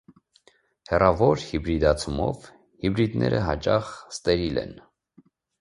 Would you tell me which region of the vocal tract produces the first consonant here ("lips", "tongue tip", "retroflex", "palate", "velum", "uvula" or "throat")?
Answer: throat